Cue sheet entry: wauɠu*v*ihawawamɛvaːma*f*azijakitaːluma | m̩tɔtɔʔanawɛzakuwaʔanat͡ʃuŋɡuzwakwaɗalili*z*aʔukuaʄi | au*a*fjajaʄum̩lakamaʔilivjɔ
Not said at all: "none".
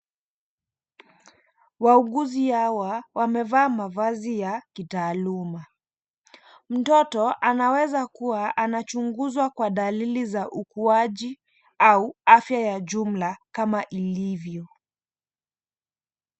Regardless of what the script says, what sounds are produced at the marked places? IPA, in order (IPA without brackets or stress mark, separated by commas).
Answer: z, v, z, a